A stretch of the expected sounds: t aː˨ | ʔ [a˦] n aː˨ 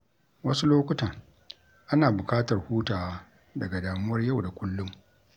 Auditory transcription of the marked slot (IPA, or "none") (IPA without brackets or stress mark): a˦